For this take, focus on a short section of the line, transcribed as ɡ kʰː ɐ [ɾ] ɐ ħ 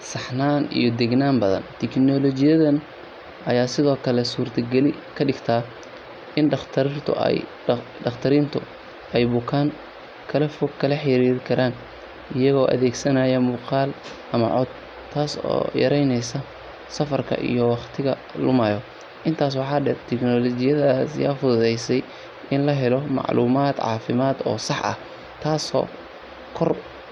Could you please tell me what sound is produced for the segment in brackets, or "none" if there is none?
l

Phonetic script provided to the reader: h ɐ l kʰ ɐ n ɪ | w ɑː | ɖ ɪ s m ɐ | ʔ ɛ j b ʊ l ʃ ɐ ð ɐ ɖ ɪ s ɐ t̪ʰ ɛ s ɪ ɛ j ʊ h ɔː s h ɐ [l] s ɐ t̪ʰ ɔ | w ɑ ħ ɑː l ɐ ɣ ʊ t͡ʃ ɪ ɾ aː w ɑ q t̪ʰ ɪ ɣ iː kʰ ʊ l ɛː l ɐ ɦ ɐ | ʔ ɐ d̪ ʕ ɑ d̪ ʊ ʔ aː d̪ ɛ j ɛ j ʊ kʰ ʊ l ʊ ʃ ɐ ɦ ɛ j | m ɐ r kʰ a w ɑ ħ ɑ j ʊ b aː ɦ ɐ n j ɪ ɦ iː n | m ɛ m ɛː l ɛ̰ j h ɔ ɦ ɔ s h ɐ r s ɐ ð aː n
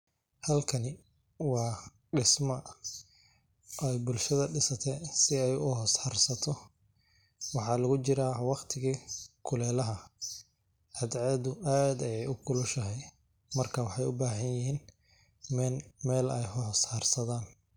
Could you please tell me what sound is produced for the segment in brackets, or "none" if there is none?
r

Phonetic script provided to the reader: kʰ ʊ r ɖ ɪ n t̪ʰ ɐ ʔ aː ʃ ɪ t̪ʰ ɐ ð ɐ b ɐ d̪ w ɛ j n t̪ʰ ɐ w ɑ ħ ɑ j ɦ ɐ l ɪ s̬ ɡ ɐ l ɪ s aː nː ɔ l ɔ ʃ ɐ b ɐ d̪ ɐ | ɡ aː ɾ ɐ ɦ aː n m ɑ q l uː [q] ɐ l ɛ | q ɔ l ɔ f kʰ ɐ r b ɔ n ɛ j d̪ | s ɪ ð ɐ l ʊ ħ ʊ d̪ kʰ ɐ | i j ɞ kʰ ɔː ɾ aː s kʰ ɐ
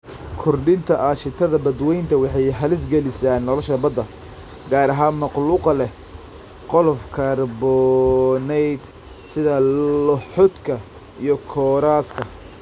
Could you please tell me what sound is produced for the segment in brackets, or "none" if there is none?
q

